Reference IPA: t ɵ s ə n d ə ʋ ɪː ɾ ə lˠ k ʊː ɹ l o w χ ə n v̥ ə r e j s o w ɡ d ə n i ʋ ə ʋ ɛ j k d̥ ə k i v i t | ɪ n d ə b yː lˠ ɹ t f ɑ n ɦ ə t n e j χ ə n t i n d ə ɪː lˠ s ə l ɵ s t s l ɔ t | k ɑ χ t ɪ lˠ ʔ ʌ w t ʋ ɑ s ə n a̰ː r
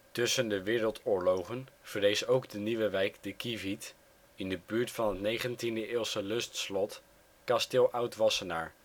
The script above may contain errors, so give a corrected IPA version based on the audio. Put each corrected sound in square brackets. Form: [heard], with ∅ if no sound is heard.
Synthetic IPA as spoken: t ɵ s ə n d ə ʋ ɪː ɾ ə lˠ [t] ʊː ɹ l o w χ ə n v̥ ə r e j s o w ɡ d ə n i ʋ ə ʋ ɛ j k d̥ ə k i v i t | ɪ n d ə b yː [∅] ɹ t f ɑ n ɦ ə t n e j χ ə n t i n d ə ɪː lˠ s ə l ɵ s t s l ɔ t | k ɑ [s] t ɪ lˠ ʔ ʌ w t ʋ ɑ s ə n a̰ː [ɹ]